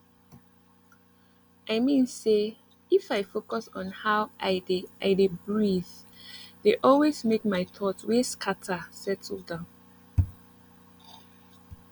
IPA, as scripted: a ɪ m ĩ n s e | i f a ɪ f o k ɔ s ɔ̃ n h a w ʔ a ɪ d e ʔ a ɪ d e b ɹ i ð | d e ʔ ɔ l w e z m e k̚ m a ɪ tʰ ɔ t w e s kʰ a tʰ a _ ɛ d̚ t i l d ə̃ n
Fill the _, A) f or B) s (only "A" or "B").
B